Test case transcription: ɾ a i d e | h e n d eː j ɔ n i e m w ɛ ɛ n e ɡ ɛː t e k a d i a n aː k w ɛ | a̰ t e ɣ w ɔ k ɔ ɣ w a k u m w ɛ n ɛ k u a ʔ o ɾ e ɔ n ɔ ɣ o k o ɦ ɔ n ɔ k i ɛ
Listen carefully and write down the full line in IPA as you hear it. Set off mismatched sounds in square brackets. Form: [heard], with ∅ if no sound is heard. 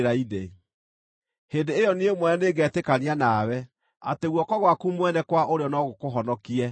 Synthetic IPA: ɾ a i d e | h e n d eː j ɔ n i e m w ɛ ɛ n e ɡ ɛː t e k a [n] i a n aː [∅] w ɛ | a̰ t e ɣ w ɔ k ɔ ɣ w a k u m w ɛ n ɛ k [w] a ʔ o ɾ e ɔ n ɔ ɣ o k o ɦ ɔ n ɔ k i ɛ